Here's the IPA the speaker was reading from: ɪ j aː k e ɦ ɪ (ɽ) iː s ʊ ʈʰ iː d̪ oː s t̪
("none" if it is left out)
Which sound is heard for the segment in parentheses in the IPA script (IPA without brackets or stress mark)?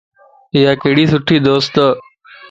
ɽ